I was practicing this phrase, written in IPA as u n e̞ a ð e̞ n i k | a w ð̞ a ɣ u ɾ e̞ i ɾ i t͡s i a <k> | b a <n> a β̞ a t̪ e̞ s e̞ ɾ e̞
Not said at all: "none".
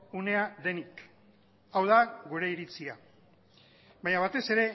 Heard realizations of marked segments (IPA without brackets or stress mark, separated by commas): none, ɲ